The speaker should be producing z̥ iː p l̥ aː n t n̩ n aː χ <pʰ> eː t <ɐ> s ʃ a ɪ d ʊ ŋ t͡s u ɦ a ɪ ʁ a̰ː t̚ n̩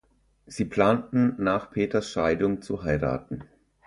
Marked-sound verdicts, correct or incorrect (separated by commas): correct, correct